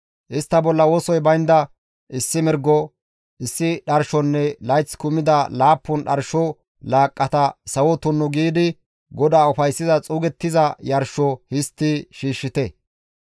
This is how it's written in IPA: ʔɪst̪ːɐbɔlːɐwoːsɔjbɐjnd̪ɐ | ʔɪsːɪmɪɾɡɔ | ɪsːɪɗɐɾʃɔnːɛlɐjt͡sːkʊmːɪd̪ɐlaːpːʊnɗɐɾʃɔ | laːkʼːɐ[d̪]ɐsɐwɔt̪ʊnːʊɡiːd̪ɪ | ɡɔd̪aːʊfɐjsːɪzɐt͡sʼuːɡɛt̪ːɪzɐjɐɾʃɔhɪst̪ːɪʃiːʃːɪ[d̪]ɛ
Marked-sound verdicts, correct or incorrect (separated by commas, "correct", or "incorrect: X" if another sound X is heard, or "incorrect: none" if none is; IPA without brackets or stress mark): incorrect: t̪, incorrect: t̪